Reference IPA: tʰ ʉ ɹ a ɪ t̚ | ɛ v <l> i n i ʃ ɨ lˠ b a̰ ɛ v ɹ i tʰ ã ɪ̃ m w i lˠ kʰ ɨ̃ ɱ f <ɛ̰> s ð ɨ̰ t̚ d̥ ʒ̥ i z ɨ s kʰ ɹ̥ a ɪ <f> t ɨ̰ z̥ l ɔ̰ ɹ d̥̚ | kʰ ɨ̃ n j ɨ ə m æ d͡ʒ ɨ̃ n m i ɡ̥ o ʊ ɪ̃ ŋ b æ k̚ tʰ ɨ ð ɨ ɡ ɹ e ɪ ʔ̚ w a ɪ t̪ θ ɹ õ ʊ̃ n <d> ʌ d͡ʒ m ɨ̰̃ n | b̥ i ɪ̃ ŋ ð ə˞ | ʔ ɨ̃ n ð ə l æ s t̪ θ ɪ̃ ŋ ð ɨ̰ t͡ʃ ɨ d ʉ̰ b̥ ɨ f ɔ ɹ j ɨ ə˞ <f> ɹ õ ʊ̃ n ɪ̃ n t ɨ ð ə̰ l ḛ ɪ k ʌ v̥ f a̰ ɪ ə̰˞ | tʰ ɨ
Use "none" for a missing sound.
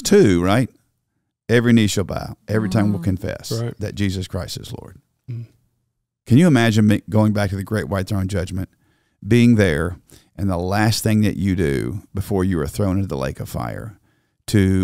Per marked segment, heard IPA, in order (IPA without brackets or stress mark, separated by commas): ɹ, ɛ̰, s, d͡ʒ, θ